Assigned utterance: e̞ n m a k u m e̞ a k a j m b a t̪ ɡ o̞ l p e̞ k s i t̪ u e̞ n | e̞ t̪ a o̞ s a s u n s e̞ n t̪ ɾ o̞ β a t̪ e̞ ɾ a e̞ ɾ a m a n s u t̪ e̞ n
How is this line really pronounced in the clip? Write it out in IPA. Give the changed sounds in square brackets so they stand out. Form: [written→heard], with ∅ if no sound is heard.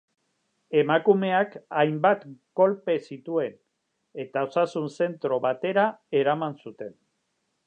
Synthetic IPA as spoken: e̞ [n→∅] m a k u m e̞ a k a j m b a t̪ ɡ o̞ l p e̞ [k→∅] s i t̪ u e̞ n | e̞ t̪ a o̞ s a s u n s e̞ n t̪ ɾ o̞ β a t̪ e̞ ɾ a e̞ ɾ a m a n s u t̪ e̞ n